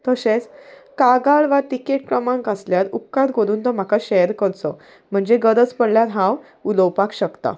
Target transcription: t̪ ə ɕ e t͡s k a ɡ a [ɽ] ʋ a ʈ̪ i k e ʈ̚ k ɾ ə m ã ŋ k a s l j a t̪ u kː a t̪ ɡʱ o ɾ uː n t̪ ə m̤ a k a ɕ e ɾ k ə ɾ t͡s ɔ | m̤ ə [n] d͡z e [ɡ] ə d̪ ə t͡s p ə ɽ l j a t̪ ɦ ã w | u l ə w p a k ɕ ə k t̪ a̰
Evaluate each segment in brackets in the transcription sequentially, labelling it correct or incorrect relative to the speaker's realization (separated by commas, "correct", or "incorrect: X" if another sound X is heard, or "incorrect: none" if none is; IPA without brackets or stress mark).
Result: incorrect: ɭ, incorrect: ɳ, correct